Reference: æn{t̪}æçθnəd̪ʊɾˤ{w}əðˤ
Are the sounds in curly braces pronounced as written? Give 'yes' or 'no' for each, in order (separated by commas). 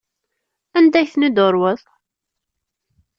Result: no, yes